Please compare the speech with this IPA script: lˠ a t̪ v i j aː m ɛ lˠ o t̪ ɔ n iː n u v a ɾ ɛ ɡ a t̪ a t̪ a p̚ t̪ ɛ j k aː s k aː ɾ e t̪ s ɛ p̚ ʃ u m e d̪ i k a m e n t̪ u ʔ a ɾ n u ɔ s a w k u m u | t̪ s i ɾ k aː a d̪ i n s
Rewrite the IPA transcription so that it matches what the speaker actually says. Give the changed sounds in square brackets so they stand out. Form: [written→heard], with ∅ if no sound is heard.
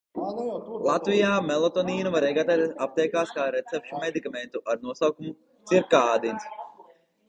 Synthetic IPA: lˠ a t̪ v i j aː m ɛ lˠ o t̪ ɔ n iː n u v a ɾ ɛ ɡ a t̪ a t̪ a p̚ t̪ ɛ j k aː s k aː ɾ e t̪ s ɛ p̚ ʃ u m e d̪ i k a m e n t̪ u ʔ a ɾ n u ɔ s a w k u m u | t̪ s i ɾ k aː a d̪ i n s